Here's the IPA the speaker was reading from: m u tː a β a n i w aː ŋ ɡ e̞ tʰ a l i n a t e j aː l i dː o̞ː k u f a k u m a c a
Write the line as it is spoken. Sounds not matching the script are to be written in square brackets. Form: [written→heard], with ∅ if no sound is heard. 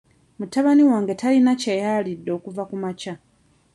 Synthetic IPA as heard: m u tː a β a n i w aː ŋ ɡ e̞ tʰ a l i n a [t→c] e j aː l i dː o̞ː k u [f→v] a k u m a c a